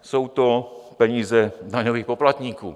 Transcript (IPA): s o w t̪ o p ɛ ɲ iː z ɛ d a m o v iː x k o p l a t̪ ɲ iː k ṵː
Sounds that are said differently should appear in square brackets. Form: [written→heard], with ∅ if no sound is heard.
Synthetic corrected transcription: s o w t̪ o p ɛ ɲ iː z ɛ d a [m→ɲ] o v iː x [k→p] o p l a t̪ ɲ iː k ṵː